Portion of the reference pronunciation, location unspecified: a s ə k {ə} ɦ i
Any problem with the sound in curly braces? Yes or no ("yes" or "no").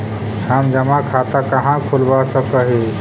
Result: no